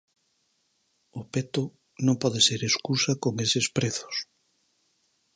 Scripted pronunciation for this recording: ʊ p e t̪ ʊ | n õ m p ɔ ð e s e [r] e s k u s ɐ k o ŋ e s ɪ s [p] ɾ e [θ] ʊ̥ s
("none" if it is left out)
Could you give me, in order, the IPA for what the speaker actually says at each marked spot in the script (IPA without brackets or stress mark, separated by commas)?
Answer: ɾ, p, θ